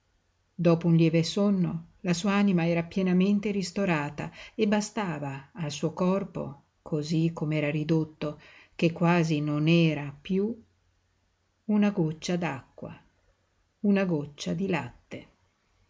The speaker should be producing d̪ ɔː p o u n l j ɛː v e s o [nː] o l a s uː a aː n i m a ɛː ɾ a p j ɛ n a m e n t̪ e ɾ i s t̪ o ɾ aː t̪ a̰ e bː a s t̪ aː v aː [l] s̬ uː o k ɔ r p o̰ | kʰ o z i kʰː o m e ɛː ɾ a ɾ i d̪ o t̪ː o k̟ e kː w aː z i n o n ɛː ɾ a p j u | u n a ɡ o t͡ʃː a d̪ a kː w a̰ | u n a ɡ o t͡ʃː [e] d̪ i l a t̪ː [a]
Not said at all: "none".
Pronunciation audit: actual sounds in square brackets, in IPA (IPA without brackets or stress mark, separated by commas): nː, l, a, e